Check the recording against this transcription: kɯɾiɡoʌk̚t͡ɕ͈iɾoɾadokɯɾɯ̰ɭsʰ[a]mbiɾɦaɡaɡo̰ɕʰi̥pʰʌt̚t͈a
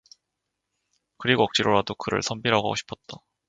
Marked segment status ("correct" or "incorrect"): incorrect